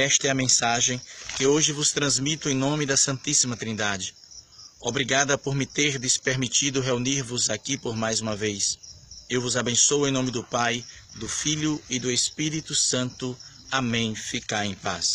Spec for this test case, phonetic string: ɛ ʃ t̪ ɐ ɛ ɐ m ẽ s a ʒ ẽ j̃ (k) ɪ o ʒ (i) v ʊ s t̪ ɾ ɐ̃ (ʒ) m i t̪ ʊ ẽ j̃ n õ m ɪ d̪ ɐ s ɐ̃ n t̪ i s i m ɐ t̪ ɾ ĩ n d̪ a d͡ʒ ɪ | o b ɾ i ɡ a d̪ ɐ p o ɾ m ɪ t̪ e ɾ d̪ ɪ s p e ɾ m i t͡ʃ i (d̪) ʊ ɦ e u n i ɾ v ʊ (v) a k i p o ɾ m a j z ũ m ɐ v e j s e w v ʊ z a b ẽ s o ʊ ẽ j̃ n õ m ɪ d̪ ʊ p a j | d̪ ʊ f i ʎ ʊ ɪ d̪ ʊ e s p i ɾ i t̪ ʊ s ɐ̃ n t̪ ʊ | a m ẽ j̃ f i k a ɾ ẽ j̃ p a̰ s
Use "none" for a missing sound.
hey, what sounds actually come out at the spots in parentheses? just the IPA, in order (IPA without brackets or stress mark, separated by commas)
k, ɪ, z, d̪, z